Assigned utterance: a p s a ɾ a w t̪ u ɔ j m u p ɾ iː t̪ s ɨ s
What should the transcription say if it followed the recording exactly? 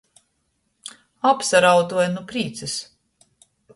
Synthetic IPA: a p s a ɾ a w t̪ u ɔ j n u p ɾ iː t̪ s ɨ s